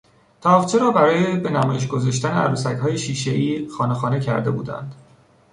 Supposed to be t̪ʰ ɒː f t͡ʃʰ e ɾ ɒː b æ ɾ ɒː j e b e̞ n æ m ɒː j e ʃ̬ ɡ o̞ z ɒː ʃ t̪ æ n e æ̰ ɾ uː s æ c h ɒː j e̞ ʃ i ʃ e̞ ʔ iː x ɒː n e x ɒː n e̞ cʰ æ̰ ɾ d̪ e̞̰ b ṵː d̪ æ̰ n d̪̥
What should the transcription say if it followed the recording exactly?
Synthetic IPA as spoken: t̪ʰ ɒː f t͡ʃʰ e ɾ ɒː b æ ɾ ɒː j e b e̞ n æ m ɒː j e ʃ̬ ɡ o̞ z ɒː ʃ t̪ æ n e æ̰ ɾ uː s æ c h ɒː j e̞ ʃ iː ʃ e̞ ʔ iː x ɒː n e x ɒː n e̞ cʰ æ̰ ɾ d̪ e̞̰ b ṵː d̪ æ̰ n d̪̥